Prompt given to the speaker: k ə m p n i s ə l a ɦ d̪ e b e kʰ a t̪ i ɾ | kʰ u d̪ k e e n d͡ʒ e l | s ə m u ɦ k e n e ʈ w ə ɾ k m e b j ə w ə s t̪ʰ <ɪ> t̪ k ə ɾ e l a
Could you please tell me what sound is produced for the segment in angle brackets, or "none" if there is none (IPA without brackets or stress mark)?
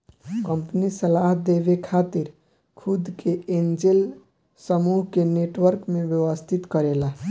i